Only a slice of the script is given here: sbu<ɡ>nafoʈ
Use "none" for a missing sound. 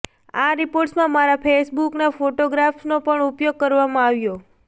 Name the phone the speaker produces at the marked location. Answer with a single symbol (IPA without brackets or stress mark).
k